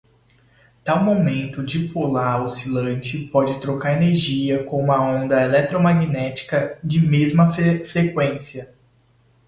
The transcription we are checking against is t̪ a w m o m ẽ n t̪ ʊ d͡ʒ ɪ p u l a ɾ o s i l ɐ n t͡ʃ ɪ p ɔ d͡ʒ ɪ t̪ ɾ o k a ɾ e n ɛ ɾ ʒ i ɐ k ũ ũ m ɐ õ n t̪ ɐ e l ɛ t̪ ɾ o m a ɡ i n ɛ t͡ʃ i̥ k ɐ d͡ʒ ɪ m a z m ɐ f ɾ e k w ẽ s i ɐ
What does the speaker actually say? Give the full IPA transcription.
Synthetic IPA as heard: t̪ a w m o m ẽ n t̪ ʊ d͡ʒ ɪ p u l a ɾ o s i l ɐ̃ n t͡ʃ ɪ p ɔ d͡ʒ ɪ t̪ ɾ o k a ɾ e n e ɾ ʒ i ɐ k õ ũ m ɐ õ n d̪ ɐ e l ɛ t̪ ɾ o m a ɡ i n ɛ t͡ʃ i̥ k ɐ d͡ʒ ɪ m e z m ɐ f ɾ e k w ẽ s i ɐ